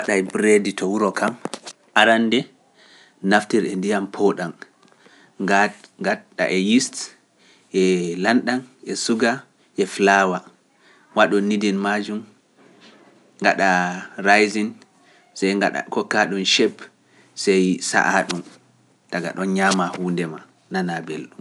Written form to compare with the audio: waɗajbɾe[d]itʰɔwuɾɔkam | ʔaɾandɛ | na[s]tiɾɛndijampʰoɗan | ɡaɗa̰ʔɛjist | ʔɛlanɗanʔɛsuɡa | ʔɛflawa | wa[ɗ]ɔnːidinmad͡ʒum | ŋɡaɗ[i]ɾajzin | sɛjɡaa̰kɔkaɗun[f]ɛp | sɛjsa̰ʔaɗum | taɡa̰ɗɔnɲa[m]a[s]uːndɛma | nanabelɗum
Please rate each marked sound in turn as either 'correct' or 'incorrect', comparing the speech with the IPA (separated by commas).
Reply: correct, incorrect, correct, incorrect, incorrect, correct, incorrect